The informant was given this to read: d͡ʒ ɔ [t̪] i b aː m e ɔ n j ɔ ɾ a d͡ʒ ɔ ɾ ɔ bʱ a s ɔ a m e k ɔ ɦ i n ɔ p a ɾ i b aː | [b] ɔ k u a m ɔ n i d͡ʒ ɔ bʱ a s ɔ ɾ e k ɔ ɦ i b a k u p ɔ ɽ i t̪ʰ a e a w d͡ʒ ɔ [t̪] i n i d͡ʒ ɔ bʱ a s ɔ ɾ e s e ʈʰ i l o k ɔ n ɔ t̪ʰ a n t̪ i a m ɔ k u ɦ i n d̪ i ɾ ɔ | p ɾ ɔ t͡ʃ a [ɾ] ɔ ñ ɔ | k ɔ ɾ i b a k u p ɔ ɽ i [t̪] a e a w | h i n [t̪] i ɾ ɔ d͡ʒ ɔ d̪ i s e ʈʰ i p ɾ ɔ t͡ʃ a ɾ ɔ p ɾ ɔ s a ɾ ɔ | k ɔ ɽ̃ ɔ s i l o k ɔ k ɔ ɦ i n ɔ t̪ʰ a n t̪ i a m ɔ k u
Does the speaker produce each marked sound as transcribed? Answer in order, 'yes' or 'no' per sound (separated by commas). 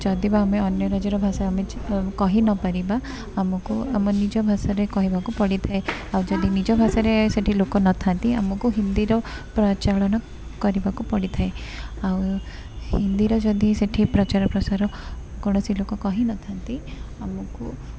no, no, no, no, no, no